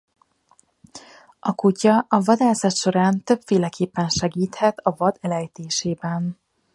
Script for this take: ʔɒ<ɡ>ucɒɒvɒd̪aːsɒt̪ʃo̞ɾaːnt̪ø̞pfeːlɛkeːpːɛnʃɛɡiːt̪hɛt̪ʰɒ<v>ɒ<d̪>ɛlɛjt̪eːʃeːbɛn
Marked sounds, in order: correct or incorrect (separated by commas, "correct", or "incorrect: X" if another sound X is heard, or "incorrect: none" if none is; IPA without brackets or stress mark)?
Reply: incorrect: k, correct, correct